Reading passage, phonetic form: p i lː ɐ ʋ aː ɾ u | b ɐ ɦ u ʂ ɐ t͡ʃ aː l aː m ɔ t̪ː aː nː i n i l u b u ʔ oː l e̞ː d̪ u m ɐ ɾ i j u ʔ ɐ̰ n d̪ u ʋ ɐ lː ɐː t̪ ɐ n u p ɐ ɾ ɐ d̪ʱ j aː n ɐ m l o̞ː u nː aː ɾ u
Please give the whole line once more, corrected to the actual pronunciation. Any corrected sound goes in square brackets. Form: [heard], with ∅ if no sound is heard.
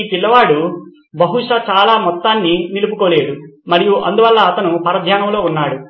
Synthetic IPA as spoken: p i lː ɐ ʋ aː [ɽ] u | b ɐ ɦ u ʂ ɐ t͡ʃ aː l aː m ɔ t̪ː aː nː i n i l u [p] u [k] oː l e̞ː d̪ u m ɐ ɾ i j u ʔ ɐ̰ n d̪ u ʋ ɐ lː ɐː t̪ ɐ n u p ɐ ɾ ɐ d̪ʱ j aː n ɐ m l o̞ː u nː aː [ɽ] u